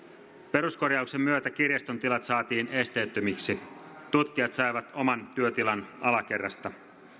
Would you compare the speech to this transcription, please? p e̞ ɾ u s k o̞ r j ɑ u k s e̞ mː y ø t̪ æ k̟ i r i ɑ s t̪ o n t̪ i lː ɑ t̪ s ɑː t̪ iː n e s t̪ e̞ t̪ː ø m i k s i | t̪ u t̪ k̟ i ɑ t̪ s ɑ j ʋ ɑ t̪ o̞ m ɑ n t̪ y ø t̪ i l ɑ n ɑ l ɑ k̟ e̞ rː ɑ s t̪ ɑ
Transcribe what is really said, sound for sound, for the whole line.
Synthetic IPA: p e̞ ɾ u s k o̞ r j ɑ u k s e̞ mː y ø t̪ æ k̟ i r j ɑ s t̪ o n t̪ i l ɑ t̪ s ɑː t̪ iː n e s t̪ e̞ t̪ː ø m i k s i | t̪ u t̪ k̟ i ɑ t̪ s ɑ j ʋ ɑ t̪ o̞ m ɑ n t̪ y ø t̪ i l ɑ n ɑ l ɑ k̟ e̞ rː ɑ s t̪ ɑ

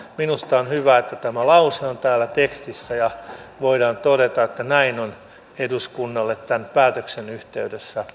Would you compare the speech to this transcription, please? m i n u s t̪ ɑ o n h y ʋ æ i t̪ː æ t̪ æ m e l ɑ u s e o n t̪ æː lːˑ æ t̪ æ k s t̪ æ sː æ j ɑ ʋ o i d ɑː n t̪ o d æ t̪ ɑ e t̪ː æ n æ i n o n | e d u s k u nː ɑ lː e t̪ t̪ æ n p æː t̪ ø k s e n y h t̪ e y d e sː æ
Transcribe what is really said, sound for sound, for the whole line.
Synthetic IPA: m i n u s t̪ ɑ o n h y ʋ æ e t̪ː æ t̪ æ m æ l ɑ u s e o n t̪ æː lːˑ æ t̪ e k s t̪ i sː æ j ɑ ʋ o i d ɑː n t̪ o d e t̪ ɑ e t̪ː æ n æ i n o n | e d u s k u nː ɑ lː e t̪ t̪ æ n p æː t̪ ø k s e n y h t̪ e y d e sː æ

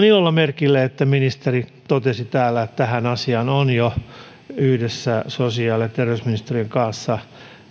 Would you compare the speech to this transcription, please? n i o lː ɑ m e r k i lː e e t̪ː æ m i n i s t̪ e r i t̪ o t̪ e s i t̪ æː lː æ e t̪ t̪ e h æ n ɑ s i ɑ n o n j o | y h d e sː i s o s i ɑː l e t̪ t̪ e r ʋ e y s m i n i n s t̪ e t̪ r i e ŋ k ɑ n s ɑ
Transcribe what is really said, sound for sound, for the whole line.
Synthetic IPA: n i o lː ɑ m e r k i lː e e t̪ː æ m i n i s t̪ e r i t̪ o t̪ e s i t̪ æː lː æ e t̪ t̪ æ h æ n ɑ s i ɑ n o n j o | y h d e sː æ s o s i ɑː l e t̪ t̪ e r ʋ e y s m i n i s t̪ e r i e ŋ k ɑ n sː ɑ

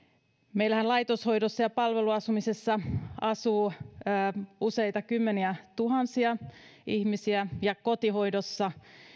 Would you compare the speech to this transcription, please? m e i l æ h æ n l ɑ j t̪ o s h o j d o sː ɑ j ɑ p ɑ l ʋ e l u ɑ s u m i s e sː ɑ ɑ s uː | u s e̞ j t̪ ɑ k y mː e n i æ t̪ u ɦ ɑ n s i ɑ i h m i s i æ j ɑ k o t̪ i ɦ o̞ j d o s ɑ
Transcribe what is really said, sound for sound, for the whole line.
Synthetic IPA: m e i l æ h æ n l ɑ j t̪ o s h o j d o sː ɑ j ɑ p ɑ l ʋ e l u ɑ s u m i s e sː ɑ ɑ s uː | u s e̞ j t̪ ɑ k y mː e n i æ t̪ u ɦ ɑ n s i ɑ i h m i s i æ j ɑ k o t̪ i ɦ o̞ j d o sː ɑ

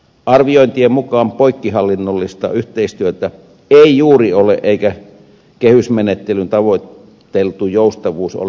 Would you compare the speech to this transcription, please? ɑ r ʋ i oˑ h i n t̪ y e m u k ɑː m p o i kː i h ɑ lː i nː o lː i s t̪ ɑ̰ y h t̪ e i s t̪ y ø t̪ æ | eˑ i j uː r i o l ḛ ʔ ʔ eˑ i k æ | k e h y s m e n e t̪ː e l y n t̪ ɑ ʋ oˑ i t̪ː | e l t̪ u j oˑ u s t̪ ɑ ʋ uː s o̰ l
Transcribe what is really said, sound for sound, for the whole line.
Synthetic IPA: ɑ r ʋ i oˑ i n t̪ i e m u k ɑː m p o i kː i h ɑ lː i nː o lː i s t̪ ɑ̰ y h t̪ e i s t̪ y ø t̪ æ | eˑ i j uː r i o l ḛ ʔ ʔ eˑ i k æ | k e h y s m e n e t̪ː e l y n t̪ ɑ ʋ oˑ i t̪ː | e l t̪ u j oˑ u s t̪ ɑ ʋ uː s o̰ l

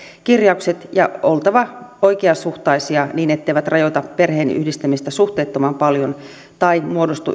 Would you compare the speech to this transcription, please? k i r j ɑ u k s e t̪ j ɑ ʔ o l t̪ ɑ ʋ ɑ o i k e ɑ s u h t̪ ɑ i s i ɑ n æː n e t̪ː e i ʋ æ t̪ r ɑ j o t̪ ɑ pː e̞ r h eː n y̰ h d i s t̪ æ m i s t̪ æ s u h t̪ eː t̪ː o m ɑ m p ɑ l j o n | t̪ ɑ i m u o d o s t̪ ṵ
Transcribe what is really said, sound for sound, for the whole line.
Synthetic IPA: k i r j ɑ u k s e t̪ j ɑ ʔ o l t̪ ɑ ʋ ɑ o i k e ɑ s u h t̪ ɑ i s i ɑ n iː n e t̪ː e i ʋ æ t̪ r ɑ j o t̪ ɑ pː e̞ r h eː n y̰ h d i s t̪ æ m i s t̪ æ s u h t̪ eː t̪ː o m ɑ m p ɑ l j o n | t̪ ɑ i m u o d o s t̪ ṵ

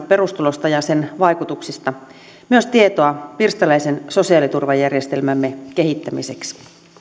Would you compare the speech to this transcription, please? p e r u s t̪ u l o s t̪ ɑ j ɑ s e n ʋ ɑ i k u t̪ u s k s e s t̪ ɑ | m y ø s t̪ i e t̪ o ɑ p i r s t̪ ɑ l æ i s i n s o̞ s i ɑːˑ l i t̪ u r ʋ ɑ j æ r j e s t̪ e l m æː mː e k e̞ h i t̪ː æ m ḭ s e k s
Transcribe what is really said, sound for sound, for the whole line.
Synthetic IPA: p e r u s t̪ u l o s t̪ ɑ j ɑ s e n ʋ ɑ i k u t̪ u k s i s t̪ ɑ | m y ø s t̪ i e t̪ o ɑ p i r s t̪ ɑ l æ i s e n s o̞ s i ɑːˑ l i t̪ u r ʋ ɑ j æ r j e s t̪ e l m æ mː e k e̞ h i t̪ː æ m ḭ s e k s

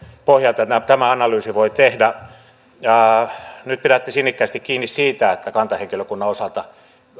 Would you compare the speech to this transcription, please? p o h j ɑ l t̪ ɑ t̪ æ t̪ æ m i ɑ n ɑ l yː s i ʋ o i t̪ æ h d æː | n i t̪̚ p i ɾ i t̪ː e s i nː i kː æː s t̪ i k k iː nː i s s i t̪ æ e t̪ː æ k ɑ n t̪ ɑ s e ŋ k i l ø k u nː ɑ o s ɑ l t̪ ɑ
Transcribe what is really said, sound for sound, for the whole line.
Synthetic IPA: p o h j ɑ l t̪ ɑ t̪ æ t̪ æ m æ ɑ n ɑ l yː s i ʋ o i t̪ e h d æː | n y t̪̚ p i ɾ æ t̪ː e s i nː i kː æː s t̪ i k k iː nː i s s iː t̪ æ e t̪ː æ k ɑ n t̪ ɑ h e ŋ k i l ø k u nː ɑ o s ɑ l t̪ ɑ

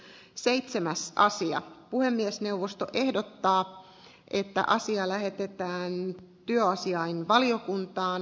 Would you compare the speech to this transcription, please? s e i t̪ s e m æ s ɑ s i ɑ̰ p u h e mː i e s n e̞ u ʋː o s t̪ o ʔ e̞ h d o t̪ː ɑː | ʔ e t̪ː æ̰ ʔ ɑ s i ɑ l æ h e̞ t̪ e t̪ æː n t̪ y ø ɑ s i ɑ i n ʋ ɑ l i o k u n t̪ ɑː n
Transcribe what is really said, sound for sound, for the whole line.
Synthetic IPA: s e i t̪ s e m æ s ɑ s i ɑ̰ p u h e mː i e s n e̞ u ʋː o s t̪ o ʔ e̞ h d o t̪ː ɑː | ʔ e t̪ː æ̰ ʔ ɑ s i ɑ l æ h e̞ t̪ e t̪ æː n t̪ y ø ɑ s i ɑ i n ʋ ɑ l i o k u n t̪ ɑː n

